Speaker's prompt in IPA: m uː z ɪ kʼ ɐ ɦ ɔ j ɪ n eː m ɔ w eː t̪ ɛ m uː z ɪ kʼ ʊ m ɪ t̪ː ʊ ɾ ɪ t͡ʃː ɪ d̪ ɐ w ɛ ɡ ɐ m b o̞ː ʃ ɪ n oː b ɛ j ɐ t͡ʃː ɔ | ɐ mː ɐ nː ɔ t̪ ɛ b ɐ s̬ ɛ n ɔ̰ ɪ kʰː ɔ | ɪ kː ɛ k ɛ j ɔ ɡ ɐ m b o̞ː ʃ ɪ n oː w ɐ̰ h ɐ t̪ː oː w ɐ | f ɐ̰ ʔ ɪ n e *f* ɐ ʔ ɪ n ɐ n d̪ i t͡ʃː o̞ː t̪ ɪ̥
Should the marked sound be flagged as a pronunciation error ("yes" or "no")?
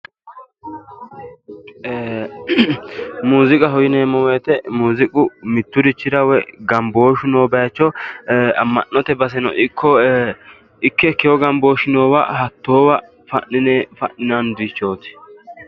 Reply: no